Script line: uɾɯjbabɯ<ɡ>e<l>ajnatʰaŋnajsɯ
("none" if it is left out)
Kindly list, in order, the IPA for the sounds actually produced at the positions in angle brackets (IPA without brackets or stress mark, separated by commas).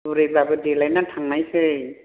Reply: d, l